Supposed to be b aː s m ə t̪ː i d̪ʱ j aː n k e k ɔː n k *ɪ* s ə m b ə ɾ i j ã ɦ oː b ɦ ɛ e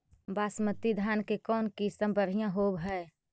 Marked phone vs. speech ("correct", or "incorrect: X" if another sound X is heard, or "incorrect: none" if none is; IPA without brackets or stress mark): incorrect: i